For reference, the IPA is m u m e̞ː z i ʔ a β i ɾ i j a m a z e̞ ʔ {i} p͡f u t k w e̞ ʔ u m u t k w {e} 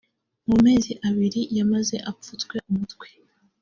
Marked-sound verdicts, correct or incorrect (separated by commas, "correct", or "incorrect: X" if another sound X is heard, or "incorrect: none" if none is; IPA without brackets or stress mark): incorrect: a, correct